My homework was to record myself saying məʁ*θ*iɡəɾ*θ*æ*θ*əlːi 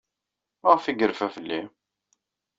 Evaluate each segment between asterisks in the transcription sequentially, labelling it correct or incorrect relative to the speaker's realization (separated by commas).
incorrect, incorrect, incorrect